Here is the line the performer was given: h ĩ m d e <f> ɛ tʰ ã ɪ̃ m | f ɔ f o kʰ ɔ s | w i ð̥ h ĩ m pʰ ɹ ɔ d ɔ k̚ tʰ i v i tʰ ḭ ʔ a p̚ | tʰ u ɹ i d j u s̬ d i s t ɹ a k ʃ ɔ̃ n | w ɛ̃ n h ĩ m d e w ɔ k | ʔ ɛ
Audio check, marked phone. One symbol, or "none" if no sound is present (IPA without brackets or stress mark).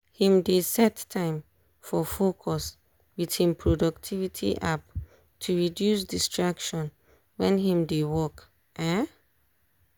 s